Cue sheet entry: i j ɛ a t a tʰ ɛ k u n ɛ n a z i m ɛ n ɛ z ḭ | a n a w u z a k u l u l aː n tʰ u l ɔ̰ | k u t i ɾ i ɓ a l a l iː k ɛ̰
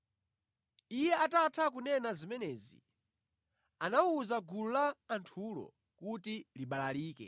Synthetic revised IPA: i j ɛ a t a tʰ a k u n ɛ n a z i m ɛ n ɛ z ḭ | a n a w u z a ɡ u l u l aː n tʰ u l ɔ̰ | k u t i l i ɓ a l a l iː k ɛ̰